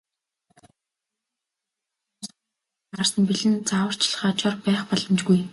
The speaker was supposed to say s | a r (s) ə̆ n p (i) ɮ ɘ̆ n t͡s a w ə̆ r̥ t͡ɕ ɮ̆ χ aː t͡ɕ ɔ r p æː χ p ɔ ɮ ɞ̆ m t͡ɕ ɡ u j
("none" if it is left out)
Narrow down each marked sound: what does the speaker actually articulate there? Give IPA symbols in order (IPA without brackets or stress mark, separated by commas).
s, i